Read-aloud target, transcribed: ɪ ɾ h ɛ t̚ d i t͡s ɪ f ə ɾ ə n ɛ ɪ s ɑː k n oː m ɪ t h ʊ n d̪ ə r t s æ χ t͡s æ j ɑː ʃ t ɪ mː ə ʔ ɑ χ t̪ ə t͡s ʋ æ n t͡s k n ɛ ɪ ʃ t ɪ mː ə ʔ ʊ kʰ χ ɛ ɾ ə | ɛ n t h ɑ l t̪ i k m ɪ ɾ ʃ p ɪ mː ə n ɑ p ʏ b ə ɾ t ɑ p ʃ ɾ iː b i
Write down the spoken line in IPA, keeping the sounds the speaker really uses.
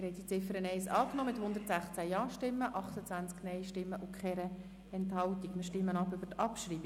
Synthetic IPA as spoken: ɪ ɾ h ɛ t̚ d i t͡s ɪ f ə ɾ ə n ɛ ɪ s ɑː k n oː m ɪ t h ʊ n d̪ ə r t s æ χ t͡s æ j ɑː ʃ t ɪ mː ə ʔ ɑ χ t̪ ə t͡s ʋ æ n t͡s k n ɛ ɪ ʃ t ɪ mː ə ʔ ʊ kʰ χ ɛ ɾ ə | ɛ n t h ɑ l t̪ i k m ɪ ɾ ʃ t ɪ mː ə n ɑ p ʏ b ə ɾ t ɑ p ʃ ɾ iː b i